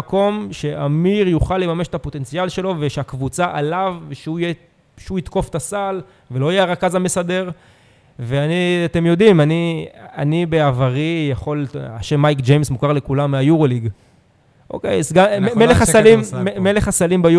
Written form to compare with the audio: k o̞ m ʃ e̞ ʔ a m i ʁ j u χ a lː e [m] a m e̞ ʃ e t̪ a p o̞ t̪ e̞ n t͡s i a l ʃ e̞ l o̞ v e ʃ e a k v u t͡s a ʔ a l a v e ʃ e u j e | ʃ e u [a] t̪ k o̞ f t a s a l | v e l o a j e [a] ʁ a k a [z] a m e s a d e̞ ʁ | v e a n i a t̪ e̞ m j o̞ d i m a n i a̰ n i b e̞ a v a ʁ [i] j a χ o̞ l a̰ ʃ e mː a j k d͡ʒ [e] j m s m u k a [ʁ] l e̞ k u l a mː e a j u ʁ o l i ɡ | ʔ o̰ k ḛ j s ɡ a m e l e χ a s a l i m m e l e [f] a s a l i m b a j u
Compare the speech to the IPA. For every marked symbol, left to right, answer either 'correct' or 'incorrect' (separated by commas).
correct, incorrect, correct, correct, correct, correct, correct, incorrect